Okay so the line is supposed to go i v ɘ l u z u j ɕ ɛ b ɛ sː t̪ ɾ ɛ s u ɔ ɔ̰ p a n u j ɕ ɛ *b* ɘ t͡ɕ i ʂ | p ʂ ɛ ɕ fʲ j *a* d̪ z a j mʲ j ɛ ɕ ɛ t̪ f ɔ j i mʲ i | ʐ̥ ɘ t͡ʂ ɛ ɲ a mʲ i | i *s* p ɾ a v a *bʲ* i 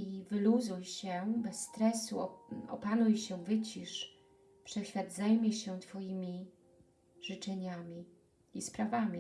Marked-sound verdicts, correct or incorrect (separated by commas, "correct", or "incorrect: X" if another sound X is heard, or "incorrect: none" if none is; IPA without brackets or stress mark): incorrect: v, correct, correct, incorrect: mʲ